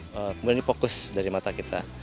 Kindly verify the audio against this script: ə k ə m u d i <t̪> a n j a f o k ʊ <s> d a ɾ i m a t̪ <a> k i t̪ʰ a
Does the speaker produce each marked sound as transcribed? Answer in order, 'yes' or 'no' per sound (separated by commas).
no, yes, yes